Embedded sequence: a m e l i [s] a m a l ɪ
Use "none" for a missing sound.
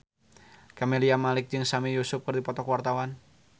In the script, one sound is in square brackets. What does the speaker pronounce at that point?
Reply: none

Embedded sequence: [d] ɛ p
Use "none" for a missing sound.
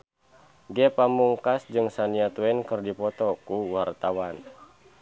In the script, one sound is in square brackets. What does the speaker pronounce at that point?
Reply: ɡ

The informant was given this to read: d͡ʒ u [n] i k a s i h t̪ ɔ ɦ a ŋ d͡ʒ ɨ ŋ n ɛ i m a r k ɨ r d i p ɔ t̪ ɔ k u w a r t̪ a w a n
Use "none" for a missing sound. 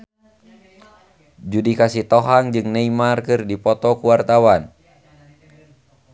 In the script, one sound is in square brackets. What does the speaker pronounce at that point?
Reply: d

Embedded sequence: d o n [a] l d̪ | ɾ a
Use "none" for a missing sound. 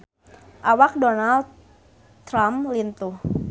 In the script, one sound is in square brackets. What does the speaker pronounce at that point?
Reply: a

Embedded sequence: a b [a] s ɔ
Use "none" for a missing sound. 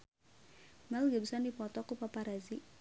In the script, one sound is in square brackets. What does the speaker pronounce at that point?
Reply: i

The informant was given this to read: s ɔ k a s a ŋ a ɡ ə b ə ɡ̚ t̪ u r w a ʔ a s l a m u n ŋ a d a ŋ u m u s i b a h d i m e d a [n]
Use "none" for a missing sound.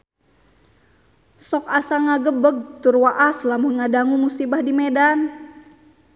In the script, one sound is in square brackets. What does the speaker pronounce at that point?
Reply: n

